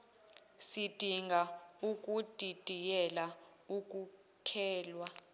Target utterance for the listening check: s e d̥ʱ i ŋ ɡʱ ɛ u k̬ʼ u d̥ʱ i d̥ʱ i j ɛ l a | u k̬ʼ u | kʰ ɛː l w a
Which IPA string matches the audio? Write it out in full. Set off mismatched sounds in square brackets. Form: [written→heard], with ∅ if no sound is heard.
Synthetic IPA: s [e→i] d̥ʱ i ŋ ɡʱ [ɛ→a] u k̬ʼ u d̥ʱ i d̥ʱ i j ɛ l a | u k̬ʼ u | kʰ ɛː l w a